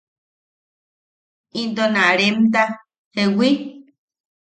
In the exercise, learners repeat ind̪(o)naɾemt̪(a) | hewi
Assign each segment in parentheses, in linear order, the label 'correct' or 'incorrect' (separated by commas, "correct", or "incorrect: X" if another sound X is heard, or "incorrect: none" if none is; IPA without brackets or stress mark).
correct, correct